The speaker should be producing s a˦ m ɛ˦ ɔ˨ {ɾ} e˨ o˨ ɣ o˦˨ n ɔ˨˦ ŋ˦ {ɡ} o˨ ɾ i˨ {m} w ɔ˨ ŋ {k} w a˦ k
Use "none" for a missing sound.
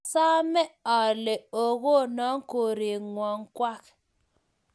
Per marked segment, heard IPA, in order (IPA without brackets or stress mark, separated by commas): l, k, ŋ, k